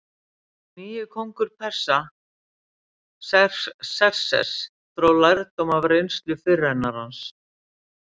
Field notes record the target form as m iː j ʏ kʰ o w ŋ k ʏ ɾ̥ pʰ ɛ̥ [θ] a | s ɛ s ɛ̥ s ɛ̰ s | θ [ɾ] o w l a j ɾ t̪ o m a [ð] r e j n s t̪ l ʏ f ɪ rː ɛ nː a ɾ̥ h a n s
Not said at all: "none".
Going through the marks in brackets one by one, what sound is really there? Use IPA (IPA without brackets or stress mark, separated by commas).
s, ɾ, v